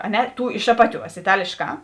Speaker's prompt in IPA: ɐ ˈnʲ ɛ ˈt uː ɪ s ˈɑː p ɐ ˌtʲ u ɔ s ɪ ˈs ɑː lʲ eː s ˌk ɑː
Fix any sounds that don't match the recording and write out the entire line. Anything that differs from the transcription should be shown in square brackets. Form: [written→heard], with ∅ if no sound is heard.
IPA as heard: ɐ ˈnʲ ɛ ˈt uː ɪ [s→ʃ] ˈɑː p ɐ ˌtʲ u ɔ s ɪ [ˈs→ˈt] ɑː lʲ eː [s→ʃ] ˌk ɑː